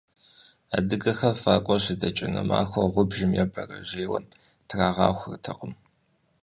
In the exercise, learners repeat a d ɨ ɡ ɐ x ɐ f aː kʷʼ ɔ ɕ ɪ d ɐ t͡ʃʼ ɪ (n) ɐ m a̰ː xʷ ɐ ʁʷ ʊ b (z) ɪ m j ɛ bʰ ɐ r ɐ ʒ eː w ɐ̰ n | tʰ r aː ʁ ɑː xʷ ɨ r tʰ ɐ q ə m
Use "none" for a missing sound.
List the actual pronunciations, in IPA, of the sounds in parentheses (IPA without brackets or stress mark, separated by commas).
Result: n, ʒ